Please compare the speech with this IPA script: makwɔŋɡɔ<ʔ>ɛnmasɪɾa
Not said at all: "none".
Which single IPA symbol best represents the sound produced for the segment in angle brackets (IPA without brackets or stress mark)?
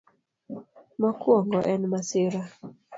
ʔ